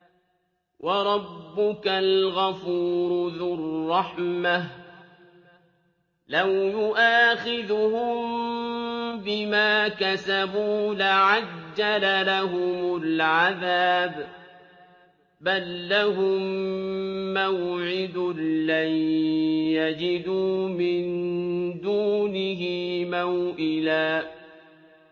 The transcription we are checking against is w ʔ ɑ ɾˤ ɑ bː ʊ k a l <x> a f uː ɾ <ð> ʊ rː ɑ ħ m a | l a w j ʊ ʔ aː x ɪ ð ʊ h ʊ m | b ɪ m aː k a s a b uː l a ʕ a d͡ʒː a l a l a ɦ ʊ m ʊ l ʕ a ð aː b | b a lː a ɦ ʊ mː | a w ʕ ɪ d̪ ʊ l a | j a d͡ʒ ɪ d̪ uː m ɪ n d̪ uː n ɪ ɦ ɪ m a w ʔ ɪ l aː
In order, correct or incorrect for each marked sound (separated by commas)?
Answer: incorrect, correct